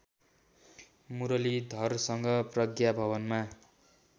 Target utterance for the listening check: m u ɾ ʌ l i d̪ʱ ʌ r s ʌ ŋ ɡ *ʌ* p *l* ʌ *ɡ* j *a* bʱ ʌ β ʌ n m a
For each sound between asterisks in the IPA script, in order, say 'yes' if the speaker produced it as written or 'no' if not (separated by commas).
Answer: yes, no, yes, yes